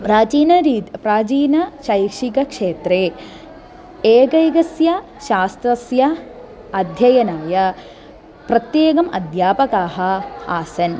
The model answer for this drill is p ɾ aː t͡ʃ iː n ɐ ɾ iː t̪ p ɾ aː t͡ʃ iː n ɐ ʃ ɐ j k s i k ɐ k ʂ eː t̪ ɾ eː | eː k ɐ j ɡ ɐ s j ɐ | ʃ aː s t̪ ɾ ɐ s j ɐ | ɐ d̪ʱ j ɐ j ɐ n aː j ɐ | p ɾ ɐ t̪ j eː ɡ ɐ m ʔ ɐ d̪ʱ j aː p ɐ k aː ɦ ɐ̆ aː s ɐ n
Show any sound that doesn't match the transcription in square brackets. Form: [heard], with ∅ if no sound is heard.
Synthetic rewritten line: p ɾ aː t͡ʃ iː n ɐ ɾ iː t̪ p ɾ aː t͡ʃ iː n ɐ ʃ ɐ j k [ʂ] i k ɐ k ʂ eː t̪ ɾ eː | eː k ɐ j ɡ ɐ s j ɐ | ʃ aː s t̪ ɾ ɐ s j ɐ | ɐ d̪ʱ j ɐ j ɐ n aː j ɐ | p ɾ ɐ t̪ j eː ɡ ɐ m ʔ ɐ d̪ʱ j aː p ɐ k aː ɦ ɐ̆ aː s ɐ n

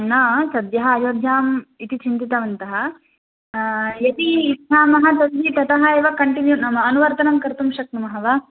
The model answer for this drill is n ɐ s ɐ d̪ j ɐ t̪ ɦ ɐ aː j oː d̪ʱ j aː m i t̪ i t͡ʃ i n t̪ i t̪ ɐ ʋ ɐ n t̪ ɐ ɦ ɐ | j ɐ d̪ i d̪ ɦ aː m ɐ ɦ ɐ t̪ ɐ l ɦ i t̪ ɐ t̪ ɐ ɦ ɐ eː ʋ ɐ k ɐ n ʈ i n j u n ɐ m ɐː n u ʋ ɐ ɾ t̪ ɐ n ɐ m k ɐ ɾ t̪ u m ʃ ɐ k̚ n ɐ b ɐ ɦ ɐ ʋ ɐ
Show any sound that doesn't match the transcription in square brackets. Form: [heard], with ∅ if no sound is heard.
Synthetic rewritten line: n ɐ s ɐ d̪ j ɐ [∅] ɦ ɐ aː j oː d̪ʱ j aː m i t̪ i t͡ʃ i n t̪ i t̪ ɐ ʋ ɐ n t̪ ɐ ɦ ɐ | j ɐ [t̪] i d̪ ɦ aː m ɐ ɦ ɐ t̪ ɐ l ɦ i t̪ ɐ t̪ ɐ ɦ ɐ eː ʋ ɐ k ɐ [ɳ] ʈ i n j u n ɐ m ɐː n u ʋ ɐ ɾ t̪ ɐ n ɐ m k ɐ ɾ t̪ u m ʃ ɐ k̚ n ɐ [m] ɐ ɦ ɐ ʋ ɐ

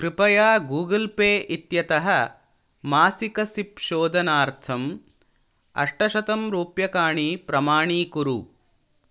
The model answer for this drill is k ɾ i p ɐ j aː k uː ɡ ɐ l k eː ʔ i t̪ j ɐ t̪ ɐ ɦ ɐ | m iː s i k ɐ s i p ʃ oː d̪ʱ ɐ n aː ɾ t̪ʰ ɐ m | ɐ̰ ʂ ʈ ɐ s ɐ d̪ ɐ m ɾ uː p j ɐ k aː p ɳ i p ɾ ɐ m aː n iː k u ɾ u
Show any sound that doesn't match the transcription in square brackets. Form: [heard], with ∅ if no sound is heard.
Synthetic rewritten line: k ɾ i p ɐ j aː [ɡ] uː ɡ ɐ l [p] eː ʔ i t̪ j ɐ t̪ ɐ ɦ ɐ | m [aː] s i k ɐ s i p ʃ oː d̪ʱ ɐ n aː ɾ t̪ʰ ɐ m | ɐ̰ ʂ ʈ ɐ [ʃ] ɐ [t̪] ɐ m ɾ uː p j ɐ k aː [∅] ɳ i p ɾ ɐ m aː [ɳ] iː k u ɾ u

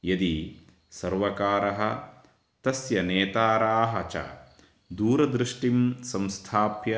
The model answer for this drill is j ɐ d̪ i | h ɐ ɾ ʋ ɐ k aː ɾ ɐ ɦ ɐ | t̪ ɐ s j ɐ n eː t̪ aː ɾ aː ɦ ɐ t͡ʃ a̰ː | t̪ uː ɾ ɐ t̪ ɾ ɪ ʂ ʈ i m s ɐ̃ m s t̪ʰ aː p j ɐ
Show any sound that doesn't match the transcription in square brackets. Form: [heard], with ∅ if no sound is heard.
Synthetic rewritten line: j ɐ d̪ i | [s] ɐ ɾ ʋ ɐ k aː ɾ ɐ ɦ ɐ | t̪ ɐ s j ɐ n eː t̪ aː ɾ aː ɦ ɐ t͡ʃ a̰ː | [d̪] uː ɾ ɐ [d̪] ɾ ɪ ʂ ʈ i m s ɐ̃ m s t̪ʰ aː p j ɐ

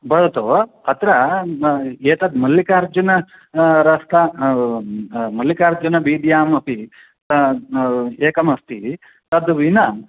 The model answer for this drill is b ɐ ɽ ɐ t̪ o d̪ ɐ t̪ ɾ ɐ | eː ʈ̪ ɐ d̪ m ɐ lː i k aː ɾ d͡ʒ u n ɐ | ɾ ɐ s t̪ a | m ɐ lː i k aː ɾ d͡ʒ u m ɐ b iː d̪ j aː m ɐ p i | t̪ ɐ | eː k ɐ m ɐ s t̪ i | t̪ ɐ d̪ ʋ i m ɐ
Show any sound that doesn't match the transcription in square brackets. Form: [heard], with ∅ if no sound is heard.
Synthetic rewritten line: b ɐ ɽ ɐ t̪ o [∅] ɐ t̪ ɾ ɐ | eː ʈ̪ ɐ d̪ m ɐ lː i k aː ɾ d͡ʒ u n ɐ | ɾ ɐ s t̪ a | m ɐ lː i k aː ɾ d͡ʒ u [n] ɐ b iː d̪ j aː m ɐ p i | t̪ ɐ | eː k ɐ m ɐ s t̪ i | t̪ ɐ d̪ ʋ i [n] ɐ

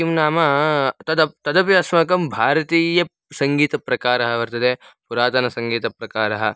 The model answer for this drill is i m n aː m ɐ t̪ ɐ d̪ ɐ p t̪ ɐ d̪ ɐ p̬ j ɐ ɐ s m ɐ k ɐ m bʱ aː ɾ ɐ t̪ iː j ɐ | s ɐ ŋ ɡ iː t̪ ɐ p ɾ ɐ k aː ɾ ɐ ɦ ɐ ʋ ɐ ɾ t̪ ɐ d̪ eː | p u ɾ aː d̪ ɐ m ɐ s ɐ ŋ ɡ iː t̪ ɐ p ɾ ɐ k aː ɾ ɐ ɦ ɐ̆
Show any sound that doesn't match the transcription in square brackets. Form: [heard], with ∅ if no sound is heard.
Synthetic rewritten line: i m n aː m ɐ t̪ ɐ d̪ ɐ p t̪ ɐ d̪ ɐ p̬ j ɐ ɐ s m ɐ k ɐ m bʱ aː ɾ ɐ t̪ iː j ɐ | s ɐ ŋ ɡ iː t̪ ɐ p ɾ ɐ k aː ɾ ɐ ɦ ɐ ʋ ɐ ɾ t̪ ɐ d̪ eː | p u ɾ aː [t̪] ɐ [n] ɐ s ɐ ŋ ɡ iː t̪ ɐ p ɾ ɐ k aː ɾ ɐ ɦ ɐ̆

